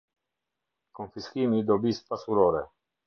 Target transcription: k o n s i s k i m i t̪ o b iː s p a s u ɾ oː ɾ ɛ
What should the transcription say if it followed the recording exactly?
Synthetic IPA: k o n f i s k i m i d̪ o b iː s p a s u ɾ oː ɾ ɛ